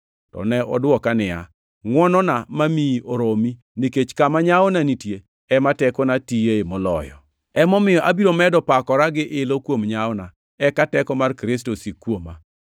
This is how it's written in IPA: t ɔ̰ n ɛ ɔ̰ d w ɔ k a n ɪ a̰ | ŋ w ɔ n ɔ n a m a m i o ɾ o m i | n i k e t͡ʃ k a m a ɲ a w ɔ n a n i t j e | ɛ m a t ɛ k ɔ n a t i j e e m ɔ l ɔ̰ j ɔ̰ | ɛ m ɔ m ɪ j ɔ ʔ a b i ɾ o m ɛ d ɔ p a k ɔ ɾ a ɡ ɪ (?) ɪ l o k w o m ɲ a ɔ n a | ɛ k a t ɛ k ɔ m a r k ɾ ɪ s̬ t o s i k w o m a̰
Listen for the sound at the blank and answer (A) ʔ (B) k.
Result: A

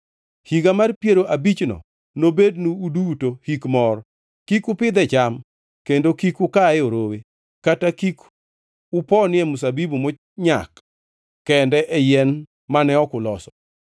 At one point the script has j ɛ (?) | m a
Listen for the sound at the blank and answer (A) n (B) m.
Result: A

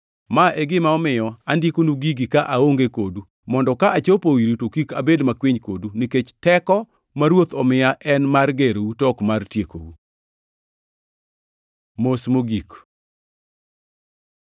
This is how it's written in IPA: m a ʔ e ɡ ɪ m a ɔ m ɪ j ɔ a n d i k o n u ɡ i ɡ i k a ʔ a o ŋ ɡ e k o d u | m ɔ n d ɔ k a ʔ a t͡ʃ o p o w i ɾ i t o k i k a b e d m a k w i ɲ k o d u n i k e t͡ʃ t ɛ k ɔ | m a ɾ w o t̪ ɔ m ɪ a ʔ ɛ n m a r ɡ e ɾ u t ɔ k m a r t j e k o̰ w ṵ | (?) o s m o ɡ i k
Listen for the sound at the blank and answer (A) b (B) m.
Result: B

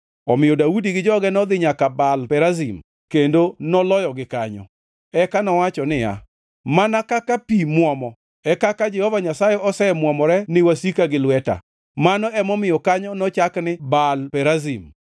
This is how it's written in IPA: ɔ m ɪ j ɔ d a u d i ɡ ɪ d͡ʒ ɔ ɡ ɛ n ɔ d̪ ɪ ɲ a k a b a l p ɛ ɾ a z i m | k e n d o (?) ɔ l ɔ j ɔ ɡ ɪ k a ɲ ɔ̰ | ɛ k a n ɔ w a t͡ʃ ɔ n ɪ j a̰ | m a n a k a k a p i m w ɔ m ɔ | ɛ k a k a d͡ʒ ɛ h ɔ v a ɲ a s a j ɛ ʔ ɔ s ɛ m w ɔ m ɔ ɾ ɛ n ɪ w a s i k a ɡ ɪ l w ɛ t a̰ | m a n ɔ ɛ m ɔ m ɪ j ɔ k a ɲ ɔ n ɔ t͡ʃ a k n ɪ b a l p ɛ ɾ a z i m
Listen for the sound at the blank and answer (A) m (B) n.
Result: B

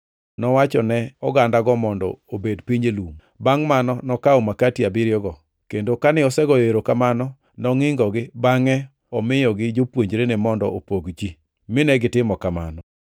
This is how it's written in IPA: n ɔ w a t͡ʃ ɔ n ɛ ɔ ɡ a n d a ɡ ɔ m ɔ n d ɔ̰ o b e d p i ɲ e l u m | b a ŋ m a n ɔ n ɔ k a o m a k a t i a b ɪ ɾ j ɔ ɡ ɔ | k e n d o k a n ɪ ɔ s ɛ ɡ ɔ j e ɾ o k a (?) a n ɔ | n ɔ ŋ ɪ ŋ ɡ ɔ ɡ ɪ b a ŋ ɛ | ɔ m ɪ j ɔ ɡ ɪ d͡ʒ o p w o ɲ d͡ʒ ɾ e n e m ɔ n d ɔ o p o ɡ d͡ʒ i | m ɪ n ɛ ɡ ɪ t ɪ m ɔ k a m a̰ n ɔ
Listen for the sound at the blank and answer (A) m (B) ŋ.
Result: A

